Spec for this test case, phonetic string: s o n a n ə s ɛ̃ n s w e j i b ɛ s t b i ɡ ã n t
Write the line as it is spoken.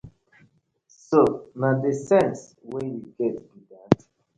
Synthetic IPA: s o n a d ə s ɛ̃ n s w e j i ɡ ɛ t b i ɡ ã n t